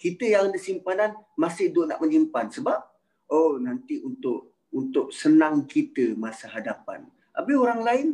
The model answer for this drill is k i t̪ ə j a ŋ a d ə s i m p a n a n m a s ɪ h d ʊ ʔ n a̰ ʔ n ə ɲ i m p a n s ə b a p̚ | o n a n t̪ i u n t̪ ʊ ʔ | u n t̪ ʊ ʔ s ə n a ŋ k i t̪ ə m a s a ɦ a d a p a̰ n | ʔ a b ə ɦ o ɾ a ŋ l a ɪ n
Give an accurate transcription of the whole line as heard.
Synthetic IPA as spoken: k i t̪ ə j a ŋ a d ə s i m p a n a n m a s ɪ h d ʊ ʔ n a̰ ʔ m ə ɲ i m p a n s ə b a p̚ | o n a n t̪ i u n t̪ ʊ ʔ | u n t̪ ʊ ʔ s ə n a ŋ k i t̪ ə m a s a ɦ a d a p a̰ n | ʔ a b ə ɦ o ɾ a ŋ l a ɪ n